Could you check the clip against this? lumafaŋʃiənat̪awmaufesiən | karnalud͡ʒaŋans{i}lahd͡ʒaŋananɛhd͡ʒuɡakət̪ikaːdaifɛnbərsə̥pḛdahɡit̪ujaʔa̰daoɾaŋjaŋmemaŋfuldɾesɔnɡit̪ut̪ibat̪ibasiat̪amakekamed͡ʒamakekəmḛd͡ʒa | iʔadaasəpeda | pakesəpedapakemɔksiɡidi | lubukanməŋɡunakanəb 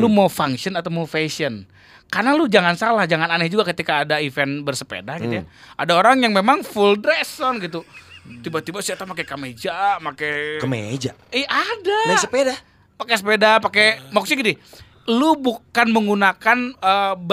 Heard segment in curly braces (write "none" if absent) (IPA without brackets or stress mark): a